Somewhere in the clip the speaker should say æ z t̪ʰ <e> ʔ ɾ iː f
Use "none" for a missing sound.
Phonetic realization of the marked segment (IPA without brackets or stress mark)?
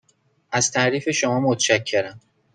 æ